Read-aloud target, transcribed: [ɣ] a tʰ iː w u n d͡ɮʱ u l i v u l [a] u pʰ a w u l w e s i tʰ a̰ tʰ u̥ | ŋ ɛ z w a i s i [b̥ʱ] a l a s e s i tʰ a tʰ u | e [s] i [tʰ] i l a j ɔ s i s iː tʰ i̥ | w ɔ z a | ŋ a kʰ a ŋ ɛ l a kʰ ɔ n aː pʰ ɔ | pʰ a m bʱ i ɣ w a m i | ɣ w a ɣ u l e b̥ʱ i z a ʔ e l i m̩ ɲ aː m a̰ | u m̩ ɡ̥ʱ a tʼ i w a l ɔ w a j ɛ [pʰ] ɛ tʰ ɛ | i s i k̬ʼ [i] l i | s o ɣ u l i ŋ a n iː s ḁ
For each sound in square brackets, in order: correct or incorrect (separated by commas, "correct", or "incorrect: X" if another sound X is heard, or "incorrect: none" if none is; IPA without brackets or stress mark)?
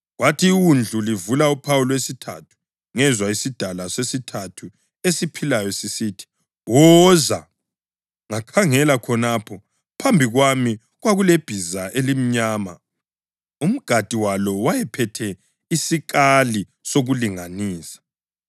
incorrect: w, correct, incorrect: d̥ʱ, correct, incorrect: pʰ, correct, incorrect: a